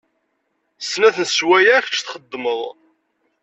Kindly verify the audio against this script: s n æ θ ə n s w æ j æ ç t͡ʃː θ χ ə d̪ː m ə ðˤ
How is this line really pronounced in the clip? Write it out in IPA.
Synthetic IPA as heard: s n æ θ ə n s w æ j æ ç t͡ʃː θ χ ə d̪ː m ə ðˤ